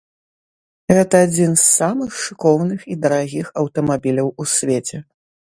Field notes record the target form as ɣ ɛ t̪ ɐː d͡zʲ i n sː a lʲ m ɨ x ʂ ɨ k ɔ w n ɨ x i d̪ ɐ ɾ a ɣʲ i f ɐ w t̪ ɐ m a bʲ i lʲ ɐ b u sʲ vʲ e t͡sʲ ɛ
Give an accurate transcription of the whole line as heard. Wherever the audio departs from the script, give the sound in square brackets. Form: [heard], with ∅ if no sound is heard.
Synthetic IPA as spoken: ɣ ɛ t̪ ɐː d͡zʲ i n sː a [∅] m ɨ x ʂ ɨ k ɔ w n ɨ x i d̪ ɐ ɾ a ɣʲ i [x] ɐ w t̪ ɐ m a bʲ i lʲ ɐ [w] u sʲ vʲ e t͡sʲ ɛ